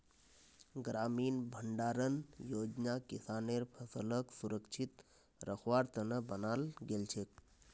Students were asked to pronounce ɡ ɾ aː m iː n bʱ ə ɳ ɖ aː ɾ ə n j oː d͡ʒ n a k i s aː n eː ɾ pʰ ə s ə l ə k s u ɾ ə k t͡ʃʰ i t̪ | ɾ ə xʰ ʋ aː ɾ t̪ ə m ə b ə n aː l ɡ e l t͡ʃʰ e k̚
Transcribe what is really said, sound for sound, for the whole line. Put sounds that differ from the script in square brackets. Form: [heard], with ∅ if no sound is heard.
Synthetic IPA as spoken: ɡ ɾ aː m iː n bʱ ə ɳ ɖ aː ɾ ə n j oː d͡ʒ n a k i s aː n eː ɾ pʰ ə s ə l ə k s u ɾ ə k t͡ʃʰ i t̪ | ɾ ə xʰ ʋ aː ɾ t̪ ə [n] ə b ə n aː l ɡ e l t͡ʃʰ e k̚